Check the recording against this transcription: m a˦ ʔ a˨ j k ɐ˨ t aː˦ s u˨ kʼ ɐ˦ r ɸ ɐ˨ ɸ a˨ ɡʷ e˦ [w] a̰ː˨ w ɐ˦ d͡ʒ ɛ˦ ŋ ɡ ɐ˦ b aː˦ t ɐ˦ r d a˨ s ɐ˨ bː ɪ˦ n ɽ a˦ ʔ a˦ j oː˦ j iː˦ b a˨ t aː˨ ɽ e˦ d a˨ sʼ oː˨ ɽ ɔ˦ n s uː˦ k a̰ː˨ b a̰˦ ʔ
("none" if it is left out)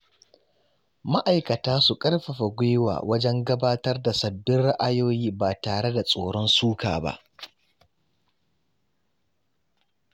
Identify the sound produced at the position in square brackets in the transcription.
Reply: w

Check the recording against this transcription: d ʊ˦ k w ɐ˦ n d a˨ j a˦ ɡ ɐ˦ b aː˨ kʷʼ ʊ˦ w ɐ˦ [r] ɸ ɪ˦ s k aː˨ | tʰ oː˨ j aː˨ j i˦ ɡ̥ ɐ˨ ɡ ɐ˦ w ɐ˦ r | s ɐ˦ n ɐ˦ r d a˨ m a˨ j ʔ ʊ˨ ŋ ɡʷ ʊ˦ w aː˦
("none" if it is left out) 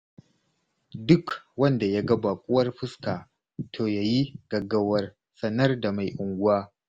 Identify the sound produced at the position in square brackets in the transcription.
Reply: r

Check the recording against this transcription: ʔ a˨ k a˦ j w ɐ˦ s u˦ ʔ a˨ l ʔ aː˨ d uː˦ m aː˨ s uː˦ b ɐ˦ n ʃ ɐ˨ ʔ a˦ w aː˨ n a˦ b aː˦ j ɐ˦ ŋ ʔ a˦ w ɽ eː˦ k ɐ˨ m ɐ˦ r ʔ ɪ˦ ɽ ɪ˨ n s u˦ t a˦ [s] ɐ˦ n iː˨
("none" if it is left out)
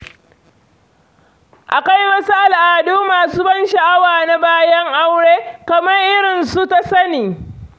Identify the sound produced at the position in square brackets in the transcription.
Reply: s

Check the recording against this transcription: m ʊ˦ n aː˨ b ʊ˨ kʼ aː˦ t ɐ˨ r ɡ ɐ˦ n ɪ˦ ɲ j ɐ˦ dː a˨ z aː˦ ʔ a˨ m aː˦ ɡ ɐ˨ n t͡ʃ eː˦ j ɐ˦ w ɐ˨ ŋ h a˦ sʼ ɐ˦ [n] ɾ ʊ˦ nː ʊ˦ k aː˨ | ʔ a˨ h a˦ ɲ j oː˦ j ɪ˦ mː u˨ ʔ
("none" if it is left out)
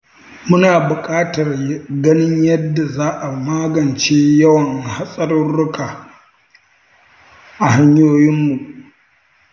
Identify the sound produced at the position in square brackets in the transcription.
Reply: none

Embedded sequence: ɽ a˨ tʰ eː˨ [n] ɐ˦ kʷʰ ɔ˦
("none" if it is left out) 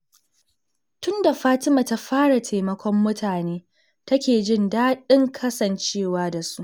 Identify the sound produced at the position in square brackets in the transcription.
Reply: m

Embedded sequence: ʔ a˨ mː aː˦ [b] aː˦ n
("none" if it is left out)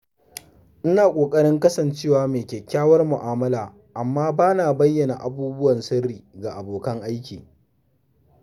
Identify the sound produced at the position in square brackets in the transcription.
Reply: b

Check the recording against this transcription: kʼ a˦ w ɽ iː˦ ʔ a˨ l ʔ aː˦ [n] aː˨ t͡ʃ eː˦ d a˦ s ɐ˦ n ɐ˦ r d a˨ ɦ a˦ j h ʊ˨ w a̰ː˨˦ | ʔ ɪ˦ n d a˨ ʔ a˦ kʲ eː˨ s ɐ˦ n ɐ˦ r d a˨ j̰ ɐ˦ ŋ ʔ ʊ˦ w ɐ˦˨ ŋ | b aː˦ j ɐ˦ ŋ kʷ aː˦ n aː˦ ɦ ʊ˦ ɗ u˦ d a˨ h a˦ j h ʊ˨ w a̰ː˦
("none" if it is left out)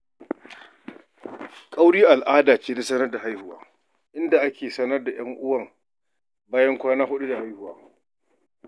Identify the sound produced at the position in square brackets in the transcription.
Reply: d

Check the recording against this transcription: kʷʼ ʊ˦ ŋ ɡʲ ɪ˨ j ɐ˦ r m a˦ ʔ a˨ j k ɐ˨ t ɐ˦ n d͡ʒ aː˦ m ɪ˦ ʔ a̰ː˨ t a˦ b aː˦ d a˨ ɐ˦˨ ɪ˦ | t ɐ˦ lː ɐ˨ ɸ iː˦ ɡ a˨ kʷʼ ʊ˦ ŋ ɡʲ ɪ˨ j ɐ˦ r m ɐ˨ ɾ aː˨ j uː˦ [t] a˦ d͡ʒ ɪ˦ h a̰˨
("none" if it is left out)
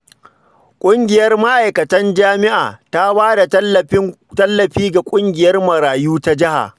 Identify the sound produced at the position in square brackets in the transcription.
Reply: t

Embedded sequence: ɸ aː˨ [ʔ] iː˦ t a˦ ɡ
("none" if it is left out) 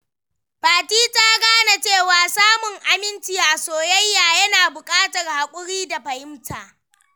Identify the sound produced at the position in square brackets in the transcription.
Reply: t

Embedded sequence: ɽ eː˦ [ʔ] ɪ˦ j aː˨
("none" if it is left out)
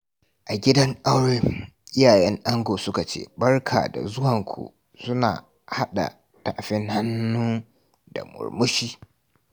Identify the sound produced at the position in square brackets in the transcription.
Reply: ʔ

